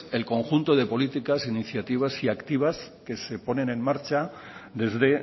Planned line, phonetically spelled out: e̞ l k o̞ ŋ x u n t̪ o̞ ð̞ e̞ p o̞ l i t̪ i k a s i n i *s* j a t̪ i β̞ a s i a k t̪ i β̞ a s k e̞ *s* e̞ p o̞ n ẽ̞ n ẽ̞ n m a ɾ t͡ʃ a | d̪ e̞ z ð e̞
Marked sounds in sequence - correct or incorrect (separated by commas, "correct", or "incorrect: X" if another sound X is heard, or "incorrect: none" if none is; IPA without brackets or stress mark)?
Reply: incorrect: θ, correct